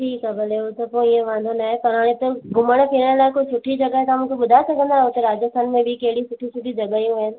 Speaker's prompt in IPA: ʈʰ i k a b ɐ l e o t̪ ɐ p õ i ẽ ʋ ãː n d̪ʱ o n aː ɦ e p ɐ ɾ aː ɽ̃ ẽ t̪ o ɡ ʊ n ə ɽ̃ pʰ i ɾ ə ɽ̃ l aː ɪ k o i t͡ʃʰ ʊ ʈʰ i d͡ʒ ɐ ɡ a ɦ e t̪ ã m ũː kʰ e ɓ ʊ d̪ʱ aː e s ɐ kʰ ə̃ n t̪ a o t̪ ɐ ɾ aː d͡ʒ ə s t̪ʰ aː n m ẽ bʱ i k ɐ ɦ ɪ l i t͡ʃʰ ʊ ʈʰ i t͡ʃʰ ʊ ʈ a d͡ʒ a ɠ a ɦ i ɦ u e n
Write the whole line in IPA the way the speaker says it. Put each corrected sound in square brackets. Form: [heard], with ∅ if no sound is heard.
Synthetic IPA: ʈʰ [iː] k a b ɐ l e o t̪ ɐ p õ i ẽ ʋ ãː n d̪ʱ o n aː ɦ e p ɐ ɾ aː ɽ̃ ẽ t̪ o ɡ ʊ [m] ə ɽ̃ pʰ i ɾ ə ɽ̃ l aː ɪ k o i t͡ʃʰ ʊ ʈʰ i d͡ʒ ɐ ɡ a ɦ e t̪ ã m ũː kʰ e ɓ ʊ d̪ʱ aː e s ɐ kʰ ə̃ n [d̪] a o t̪ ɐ ɾ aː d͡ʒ ə s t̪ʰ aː n m ẽ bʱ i k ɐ ɦ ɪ [ɽ] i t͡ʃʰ ʊ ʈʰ i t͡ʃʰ ʊ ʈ [i] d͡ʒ [ɐ] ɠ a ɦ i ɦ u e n